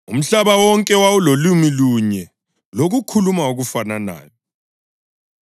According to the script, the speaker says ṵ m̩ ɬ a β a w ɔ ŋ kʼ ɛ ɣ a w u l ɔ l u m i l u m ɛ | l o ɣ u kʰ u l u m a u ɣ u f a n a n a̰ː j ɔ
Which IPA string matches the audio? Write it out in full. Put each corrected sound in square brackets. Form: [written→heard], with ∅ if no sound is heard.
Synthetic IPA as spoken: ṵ m̩ ɬ a β a w ɔ ŋ kʼ ɛ [ɣ→w] a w u l [ɔ→o] l u m i l u [m→ɲ] ɛ | l o ɣ u kʰ u l u m a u ɣ u f a n a n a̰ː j ɔ